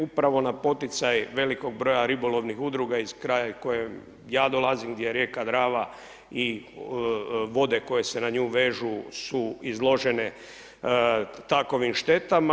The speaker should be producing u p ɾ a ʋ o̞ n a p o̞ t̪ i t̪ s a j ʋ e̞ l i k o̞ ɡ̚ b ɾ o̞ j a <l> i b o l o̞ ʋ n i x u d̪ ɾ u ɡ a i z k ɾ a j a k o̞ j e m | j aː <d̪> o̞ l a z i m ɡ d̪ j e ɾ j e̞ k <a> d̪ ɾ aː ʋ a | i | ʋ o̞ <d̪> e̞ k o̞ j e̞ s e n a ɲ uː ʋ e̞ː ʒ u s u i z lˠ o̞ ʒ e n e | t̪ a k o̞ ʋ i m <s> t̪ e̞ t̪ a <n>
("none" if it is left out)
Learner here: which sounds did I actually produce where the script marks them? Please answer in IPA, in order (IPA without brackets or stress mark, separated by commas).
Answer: ɾ, d̪, a, d̪, ʃ, m